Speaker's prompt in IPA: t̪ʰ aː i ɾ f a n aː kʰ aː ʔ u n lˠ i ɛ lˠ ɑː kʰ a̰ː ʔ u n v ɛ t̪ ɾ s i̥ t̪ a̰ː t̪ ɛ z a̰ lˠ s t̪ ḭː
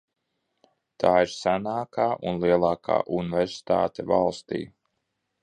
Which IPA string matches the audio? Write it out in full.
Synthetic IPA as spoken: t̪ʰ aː i ɾ s a n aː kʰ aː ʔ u n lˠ i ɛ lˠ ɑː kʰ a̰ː ʔ u n v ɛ ɾ s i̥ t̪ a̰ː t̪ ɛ v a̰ lˠ s t̪ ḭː